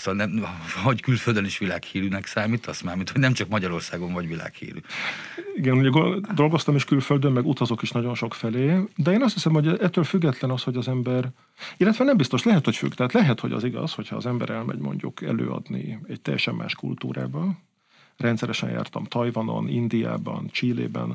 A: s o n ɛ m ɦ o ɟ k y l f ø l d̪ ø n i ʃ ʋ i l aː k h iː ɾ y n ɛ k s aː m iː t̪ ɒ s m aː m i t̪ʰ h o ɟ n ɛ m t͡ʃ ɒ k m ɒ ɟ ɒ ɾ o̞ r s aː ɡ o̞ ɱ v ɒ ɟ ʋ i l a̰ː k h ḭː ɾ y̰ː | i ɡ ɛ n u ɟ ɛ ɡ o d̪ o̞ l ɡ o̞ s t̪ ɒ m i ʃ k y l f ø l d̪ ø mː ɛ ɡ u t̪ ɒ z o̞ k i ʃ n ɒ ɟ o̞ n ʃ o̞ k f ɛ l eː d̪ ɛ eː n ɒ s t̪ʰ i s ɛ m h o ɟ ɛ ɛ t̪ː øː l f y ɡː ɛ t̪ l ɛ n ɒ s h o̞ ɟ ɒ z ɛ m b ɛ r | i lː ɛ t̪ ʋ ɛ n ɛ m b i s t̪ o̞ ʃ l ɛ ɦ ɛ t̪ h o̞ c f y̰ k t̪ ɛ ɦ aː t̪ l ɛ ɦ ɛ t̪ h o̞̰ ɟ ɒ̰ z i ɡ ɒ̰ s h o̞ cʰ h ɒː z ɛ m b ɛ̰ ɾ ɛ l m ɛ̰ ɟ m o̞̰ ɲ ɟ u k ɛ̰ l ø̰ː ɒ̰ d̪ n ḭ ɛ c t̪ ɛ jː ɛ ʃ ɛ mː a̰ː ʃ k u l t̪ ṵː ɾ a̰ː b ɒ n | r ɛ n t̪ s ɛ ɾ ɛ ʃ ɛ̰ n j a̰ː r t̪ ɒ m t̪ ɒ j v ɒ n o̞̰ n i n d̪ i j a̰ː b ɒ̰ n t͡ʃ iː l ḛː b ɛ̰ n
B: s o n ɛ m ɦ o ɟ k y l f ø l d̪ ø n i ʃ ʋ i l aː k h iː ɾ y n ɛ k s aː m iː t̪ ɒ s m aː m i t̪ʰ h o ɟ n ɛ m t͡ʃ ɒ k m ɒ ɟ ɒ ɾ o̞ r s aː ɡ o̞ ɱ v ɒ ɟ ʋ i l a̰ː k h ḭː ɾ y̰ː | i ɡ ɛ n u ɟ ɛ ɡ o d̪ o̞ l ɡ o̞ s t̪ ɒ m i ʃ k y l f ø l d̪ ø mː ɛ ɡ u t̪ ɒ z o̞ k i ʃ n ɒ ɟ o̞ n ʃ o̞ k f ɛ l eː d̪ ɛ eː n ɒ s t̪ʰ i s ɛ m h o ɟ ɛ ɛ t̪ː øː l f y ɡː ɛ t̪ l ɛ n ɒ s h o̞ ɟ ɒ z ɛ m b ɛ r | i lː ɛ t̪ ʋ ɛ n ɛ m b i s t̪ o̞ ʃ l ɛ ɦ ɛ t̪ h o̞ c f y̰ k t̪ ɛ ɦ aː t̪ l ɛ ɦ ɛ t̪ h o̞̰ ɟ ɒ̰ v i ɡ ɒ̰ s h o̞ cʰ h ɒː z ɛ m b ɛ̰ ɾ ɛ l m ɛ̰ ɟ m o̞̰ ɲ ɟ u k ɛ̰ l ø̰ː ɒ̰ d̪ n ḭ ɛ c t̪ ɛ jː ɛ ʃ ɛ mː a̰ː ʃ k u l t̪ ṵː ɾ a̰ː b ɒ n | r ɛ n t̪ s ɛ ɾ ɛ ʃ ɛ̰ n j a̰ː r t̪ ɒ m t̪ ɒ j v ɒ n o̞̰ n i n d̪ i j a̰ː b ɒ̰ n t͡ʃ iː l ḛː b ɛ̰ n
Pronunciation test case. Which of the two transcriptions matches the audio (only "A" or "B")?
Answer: A